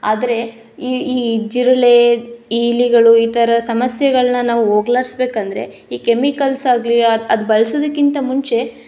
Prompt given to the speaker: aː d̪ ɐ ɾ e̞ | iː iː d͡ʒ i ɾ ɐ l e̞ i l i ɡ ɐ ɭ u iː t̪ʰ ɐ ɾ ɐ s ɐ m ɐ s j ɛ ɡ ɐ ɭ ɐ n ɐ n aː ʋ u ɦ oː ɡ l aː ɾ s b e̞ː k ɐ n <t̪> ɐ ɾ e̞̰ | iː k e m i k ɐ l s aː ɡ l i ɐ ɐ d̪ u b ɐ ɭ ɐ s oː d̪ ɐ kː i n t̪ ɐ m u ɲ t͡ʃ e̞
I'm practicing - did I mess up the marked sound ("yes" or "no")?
yes